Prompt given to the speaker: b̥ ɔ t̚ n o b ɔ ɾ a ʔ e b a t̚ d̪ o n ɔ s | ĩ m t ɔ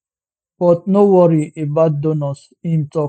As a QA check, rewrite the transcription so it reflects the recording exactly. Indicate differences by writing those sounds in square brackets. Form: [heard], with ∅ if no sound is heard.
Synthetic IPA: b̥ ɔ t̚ n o [w] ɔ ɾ [i] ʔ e b a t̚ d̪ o n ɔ s | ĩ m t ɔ